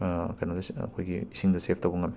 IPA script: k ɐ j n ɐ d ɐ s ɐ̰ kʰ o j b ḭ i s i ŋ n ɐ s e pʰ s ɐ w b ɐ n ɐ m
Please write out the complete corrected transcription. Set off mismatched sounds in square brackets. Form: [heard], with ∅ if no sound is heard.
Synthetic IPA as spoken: k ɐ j n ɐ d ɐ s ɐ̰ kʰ o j [ɡ] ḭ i s i ŋ [d] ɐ s e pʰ [t] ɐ w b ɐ [ŋ] ɐ m

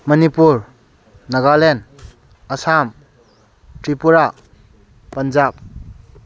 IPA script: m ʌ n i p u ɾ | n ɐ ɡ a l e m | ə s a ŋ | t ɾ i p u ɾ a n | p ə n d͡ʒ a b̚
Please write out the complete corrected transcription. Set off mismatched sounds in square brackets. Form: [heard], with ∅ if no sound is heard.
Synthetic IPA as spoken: m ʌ n i p u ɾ | n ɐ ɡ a l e [n] | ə s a [m] | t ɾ i p u ɾ a [∅] | p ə n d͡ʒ a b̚

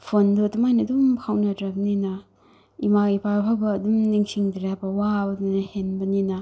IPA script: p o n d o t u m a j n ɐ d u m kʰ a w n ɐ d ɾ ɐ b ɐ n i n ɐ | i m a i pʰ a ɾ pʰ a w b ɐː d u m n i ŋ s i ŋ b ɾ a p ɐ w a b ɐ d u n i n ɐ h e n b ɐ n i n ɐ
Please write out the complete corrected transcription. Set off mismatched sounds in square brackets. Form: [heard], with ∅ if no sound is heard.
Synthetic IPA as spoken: [pʰ] o n d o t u m a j n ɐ d u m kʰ a w n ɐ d ɾ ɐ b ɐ n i n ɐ | i m a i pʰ a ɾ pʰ a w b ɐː d u m n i ŋ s i ŋ [d] ɾ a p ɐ w a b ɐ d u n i n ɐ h e n b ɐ n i n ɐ

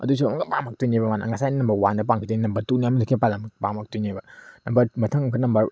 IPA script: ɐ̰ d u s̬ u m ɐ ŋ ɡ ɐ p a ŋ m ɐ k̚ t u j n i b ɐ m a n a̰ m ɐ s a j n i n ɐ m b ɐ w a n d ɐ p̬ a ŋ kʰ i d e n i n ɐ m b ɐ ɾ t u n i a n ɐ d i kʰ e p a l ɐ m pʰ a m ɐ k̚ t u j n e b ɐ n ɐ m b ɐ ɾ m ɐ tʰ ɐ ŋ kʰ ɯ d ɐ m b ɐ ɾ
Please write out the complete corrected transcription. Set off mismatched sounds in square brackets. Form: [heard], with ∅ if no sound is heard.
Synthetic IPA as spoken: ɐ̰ d u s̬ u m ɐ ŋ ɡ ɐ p a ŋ m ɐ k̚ t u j n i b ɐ m a n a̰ [ŋ] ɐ s a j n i n ɐ m b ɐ w a n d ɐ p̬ a ŋ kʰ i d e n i n ɐ m b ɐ ɾ t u n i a [m] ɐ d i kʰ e p a l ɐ m [p] a m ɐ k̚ t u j n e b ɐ n ɐ m b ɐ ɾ m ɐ tʰ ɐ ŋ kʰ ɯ [n] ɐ m b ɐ ɾ

